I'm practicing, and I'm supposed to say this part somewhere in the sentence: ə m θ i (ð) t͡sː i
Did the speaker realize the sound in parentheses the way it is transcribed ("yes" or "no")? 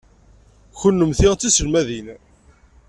no